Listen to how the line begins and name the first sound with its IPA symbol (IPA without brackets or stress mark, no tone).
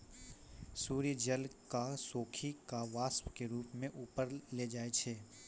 s